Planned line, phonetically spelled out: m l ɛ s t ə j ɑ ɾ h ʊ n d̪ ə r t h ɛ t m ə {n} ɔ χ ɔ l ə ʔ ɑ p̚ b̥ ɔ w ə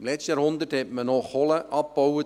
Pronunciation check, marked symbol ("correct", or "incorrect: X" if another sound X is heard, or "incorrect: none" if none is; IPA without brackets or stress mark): correct